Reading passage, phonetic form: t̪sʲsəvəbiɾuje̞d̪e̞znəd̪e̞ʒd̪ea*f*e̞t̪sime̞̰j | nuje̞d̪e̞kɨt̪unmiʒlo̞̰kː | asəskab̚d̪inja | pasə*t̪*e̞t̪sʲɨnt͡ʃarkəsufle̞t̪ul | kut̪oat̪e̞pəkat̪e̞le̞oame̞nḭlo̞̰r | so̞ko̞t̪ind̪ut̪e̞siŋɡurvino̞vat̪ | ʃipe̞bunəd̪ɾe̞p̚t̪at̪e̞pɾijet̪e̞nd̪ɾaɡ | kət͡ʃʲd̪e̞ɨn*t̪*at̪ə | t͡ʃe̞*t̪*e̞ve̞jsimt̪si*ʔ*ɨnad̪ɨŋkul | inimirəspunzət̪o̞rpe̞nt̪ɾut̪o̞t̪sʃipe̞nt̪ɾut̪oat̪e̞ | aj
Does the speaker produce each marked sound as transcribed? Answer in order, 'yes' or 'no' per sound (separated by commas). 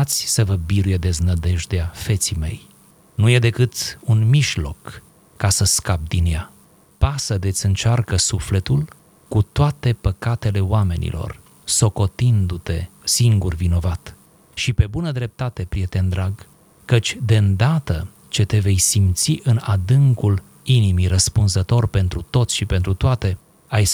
yes, no, no, yes, yes